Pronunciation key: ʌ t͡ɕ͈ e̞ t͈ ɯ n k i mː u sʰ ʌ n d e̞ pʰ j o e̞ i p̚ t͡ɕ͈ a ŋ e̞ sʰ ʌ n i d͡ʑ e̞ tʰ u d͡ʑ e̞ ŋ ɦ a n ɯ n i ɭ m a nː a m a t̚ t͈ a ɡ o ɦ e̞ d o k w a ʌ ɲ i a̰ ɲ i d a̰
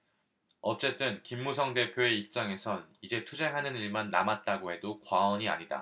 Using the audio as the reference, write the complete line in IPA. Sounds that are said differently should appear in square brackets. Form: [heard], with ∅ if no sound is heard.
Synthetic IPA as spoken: ʌ t͡ɕ͈ e̞ t͈ ɯ n k i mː u sʰ ʌ [ŋ] d e̞ pʰ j o e̞ i p̚ t͡ɕ͈ a ŋ e̞ sʰ ʌ n i d͡ʑ e̞ tʰ u d͡ʑ e̞ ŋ ɦ a n ɯ n i ɭ m a nː a m a t̚ t͈ a ɡ o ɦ e̞ d o k w a ʌ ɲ i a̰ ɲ i d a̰